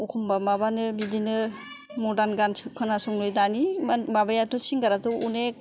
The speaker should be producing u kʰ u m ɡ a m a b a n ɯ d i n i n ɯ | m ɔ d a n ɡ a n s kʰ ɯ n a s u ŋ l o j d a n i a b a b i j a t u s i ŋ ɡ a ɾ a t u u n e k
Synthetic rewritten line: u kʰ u m b a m a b a n ɯ b i d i n ɯ | m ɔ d a n ɡ a n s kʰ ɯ n a s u ŋ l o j d a n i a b a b a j a t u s i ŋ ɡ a ɾ a t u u n e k